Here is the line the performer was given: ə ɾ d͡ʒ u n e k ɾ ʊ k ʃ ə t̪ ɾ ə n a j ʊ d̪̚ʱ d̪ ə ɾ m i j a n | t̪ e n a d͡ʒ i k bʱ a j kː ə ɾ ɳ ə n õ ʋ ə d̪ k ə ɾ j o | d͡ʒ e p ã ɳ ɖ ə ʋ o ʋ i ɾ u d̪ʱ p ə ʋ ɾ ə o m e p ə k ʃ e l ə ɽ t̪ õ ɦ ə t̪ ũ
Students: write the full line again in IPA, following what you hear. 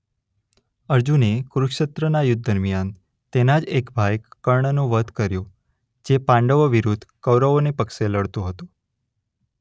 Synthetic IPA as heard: ə ɾ d͡ʒ u n e k ɾ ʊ k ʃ ə t̪ ɾ ə n a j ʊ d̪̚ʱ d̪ ə ɾ m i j a n | t̪ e n a d͡ʒ e k bʱ a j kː ə ɾ ɳ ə n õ ʋ ə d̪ k ə ɾ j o | d͡ʒ e p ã ɳ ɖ ə ʋ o ʋ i ɾ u d̪ʱ k ə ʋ ɾ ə o n e p ə k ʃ e l ə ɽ t̪ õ ɦ ə t̪ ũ